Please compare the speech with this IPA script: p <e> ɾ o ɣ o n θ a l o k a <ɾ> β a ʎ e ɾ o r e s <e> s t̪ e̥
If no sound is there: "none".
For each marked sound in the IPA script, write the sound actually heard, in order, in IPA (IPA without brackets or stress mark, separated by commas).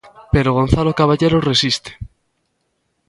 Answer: e, none, i